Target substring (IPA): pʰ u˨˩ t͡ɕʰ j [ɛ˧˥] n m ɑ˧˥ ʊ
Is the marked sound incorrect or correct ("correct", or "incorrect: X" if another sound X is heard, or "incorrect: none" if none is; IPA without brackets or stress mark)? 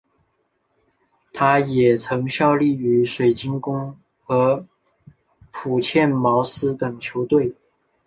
incorrect: ɛ˥˩